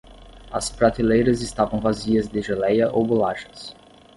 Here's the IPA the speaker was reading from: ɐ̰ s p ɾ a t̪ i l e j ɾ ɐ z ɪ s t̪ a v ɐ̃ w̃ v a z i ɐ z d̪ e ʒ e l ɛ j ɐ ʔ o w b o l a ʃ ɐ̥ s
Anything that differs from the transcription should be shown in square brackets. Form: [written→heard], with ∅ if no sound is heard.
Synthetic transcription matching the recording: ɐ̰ s p ɾ a t̪ i l e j ɾ ɐ z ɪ s t̪ a v ɐ̃ w̃ v a z i ɐ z d̪ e ʒ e l ɛ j ɐ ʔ o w b o l a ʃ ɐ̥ s